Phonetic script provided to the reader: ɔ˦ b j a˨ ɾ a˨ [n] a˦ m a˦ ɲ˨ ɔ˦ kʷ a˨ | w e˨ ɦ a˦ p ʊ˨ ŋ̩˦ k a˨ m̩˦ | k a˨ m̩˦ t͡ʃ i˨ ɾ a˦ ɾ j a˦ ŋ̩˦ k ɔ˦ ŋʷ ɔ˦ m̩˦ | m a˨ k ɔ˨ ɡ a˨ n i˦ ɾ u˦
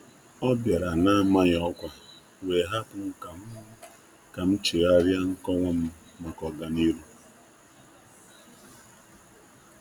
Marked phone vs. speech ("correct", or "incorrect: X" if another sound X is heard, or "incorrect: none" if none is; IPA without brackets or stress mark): correct